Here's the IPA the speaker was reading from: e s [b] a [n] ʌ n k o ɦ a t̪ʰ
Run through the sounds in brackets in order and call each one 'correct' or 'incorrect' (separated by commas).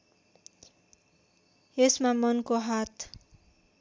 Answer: incorrect, incorrect